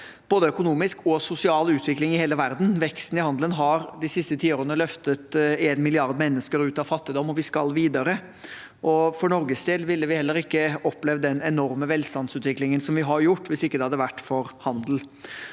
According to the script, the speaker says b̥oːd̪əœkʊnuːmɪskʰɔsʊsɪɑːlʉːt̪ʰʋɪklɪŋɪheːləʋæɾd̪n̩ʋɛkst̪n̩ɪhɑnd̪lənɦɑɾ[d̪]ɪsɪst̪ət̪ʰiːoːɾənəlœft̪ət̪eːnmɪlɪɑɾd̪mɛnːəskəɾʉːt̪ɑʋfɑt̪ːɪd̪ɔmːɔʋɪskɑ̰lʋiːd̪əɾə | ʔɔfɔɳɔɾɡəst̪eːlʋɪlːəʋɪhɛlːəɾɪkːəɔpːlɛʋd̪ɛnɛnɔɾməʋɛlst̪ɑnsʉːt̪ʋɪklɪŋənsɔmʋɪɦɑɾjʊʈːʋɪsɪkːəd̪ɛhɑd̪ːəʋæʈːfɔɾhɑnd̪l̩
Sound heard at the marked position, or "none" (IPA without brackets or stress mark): d̪